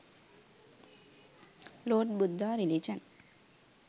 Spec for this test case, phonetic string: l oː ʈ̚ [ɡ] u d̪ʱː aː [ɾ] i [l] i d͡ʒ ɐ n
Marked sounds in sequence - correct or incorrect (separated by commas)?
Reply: incorrect, correct, correct